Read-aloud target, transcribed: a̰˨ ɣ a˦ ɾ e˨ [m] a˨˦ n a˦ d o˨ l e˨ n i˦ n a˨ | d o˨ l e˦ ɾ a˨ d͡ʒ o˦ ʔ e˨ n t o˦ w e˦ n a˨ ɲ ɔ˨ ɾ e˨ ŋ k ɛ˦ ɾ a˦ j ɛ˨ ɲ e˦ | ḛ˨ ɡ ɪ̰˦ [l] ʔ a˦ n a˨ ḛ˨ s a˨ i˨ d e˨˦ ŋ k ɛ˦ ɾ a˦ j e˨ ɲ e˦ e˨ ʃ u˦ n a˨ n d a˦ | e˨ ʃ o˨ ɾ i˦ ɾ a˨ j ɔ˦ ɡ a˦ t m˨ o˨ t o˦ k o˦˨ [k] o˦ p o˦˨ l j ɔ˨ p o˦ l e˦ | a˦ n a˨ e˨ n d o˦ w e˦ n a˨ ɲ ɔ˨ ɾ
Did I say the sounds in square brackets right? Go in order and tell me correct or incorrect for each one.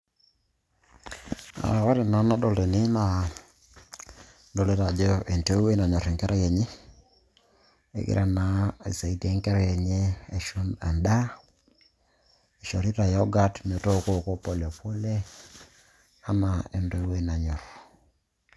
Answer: incorrect: n, incorrect: ɾ, correct

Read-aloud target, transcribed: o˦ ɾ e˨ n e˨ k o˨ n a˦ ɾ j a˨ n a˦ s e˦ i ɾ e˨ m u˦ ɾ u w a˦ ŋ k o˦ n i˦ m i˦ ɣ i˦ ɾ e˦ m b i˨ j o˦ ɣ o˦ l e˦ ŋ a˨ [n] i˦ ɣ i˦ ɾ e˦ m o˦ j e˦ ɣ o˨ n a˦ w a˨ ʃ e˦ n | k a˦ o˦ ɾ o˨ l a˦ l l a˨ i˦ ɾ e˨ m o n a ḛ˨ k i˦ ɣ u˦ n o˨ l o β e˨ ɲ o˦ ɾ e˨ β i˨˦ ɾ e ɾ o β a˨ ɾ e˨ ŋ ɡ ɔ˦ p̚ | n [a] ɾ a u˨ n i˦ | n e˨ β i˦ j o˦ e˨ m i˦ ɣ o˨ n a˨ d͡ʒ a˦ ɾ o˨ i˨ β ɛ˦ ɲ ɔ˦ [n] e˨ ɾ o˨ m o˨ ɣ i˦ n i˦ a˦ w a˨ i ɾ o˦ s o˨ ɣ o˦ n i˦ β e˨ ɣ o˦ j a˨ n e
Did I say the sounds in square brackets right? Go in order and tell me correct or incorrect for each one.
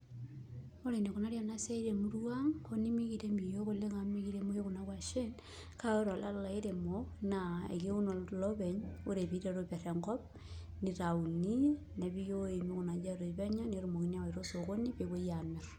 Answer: incorrect: m, incorrect: i, correct

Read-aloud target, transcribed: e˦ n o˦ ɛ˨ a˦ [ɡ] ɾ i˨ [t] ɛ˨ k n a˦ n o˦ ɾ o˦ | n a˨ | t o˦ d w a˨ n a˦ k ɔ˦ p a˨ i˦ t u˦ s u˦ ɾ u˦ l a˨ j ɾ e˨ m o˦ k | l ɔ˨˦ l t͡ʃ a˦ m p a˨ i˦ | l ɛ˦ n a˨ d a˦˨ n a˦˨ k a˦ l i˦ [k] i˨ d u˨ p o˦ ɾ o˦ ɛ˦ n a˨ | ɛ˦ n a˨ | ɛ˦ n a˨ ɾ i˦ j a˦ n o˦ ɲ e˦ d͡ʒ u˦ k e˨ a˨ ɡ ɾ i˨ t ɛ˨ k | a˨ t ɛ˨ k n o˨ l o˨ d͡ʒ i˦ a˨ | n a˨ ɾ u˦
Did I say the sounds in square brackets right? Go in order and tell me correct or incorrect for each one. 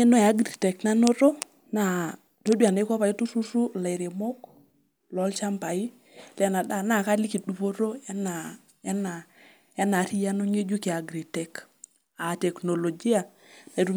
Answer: correct, correct, correct

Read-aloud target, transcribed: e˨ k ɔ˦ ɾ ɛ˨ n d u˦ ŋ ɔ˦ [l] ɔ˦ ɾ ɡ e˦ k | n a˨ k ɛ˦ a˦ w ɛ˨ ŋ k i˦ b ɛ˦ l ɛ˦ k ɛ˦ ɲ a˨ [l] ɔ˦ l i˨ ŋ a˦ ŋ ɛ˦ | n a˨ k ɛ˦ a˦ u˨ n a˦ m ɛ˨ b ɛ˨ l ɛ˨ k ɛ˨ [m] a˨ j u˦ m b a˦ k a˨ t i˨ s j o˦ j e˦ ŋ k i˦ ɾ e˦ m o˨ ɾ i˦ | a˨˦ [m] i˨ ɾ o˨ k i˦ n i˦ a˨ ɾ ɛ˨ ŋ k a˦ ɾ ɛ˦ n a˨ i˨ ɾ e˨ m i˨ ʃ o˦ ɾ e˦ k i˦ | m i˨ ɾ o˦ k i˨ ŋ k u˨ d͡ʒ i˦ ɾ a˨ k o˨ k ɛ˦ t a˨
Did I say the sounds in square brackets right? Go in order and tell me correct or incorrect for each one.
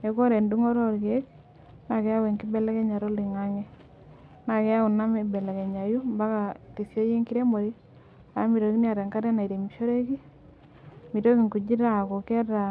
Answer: incorrect: ɾ, incorrect: ɾ, incorrect: ɲ, correct

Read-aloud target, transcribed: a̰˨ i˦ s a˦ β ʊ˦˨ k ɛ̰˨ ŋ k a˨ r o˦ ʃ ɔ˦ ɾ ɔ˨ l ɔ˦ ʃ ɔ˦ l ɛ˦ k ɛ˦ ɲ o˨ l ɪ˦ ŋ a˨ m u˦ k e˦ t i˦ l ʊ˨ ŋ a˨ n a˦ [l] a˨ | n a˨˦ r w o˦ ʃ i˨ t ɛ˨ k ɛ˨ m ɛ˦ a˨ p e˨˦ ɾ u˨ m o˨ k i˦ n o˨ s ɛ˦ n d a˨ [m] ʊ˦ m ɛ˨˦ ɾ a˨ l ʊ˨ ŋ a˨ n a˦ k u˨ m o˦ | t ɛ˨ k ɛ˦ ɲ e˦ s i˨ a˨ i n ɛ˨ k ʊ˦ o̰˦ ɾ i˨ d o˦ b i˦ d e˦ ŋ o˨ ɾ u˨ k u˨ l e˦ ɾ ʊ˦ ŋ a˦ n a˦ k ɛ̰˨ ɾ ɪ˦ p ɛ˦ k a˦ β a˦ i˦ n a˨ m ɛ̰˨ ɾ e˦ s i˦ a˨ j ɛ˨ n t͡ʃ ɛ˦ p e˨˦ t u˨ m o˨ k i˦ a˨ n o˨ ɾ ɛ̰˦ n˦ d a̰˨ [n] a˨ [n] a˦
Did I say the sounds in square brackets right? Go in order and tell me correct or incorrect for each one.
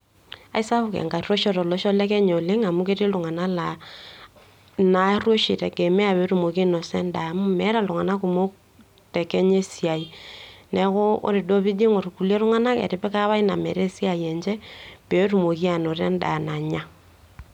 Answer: correct, correct, correct, incorrect: ɲ

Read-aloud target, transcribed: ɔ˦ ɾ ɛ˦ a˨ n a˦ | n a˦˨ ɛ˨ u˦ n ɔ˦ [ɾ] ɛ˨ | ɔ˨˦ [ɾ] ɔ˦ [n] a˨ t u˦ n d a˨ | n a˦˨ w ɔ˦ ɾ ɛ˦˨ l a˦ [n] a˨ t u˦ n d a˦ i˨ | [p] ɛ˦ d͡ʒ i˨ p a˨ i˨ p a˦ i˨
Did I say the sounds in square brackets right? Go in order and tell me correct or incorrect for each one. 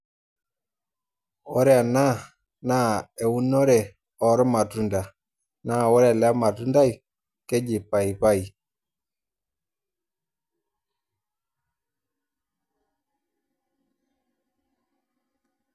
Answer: correct, correct, incorrect: m, incorrect: m, incorrect: k

